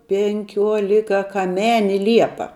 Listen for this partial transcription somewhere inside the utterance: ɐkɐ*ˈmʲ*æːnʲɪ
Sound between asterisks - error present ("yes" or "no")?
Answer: no